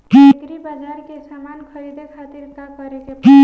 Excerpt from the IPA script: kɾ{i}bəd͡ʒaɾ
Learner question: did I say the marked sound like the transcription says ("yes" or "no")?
yes